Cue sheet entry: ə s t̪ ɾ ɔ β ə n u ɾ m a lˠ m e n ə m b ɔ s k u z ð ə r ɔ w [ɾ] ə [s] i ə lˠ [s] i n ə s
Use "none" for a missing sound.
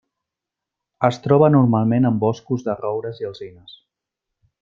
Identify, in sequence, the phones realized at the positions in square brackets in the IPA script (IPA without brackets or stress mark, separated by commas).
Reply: ɾ, z, z